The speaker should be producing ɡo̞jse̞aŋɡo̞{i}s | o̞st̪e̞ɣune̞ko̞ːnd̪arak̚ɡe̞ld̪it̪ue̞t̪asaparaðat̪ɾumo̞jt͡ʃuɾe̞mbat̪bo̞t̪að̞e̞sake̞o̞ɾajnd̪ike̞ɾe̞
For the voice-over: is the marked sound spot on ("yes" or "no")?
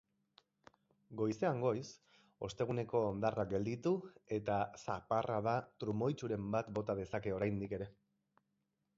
no